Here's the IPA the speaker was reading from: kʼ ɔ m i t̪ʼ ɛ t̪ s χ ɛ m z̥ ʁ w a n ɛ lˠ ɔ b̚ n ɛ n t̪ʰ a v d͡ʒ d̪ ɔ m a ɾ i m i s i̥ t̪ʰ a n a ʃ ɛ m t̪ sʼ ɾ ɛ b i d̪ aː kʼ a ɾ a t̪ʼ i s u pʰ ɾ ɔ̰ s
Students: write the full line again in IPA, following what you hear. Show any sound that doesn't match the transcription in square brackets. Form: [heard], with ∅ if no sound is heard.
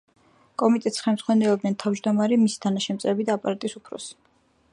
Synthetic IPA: kʼ ɔ m i t̪ʼ ɛ t̪ s χ ɛ m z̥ ʁ w a n ɛ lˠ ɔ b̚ n ɛ n t̪ʰ a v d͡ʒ d̪ ɔ m a ɾ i m i s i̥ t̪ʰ a n a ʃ ɛ m t̪ sʼ ɾ ɛ b i d̪ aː [pʼ] a ɾ a t̪ʼ i s u pʰ ɾ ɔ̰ s